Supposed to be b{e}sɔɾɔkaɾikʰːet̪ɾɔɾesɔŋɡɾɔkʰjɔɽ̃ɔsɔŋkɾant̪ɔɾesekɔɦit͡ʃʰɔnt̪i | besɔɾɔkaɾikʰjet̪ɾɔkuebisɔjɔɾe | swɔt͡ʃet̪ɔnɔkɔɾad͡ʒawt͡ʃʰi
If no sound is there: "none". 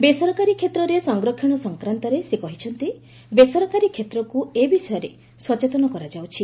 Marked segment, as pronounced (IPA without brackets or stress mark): e